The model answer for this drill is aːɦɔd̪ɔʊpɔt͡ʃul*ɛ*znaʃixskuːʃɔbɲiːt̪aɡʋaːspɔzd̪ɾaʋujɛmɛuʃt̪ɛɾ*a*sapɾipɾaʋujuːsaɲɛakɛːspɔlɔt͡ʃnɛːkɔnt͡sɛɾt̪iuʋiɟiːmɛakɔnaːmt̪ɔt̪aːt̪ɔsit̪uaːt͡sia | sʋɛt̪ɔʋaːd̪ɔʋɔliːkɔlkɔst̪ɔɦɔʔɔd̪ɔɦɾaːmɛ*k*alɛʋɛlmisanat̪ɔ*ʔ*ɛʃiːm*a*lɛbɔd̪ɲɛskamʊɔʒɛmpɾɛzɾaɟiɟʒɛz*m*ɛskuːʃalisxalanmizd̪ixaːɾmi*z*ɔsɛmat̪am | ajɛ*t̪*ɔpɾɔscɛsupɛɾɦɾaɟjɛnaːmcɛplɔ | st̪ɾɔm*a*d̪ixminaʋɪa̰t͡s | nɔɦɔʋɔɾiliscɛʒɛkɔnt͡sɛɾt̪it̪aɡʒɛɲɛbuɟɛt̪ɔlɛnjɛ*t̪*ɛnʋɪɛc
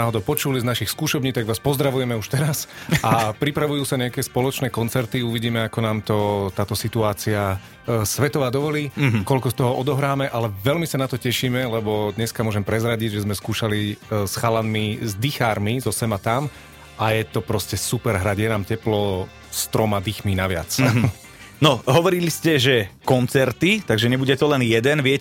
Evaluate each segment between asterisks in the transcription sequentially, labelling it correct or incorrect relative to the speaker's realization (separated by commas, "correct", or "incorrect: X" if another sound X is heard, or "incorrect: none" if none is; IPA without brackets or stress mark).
incorrect: i, correct, incorrect: ʔ, incorrect: c, incorrect: ɛ, correct, correct, correct, correct, incorrect: d̪